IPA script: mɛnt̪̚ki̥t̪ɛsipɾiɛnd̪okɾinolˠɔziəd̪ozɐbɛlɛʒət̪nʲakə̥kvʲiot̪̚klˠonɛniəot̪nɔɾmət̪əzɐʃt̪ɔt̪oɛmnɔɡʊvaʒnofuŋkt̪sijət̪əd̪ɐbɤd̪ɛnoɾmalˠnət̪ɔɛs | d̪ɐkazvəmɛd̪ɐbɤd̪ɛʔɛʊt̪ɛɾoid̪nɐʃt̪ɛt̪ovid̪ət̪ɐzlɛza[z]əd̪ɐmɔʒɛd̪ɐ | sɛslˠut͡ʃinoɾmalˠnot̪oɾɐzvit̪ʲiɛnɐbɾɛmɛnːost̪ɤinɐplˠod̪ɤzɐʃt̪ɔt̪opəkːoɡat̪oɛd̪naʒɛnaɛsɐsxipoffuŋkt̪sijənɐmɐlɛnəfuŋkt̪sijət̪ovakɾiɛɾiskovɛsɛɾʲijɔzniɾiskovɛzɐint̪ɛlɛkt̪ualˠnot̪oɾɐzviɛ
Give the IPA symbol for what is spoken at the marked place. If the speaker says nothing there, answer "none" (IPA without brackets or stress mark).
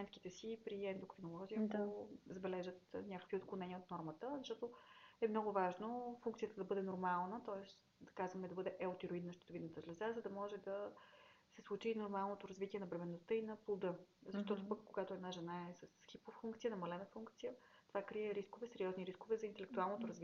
z